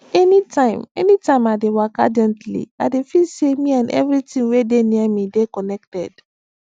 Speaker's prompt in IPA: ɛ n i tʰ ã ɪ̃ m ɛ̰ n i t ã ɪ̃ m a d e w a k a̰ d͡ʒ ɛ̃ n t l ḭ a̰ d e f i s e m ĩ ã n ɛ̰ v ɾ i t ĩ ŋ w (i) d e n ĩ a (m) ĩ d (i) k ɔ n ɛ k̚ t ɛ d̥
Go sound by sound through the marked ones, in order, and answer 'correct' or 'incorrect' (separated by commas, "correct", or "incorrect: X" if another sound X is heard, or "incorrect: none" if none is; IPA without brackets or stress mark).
incorrect: e, correct, incorrect: e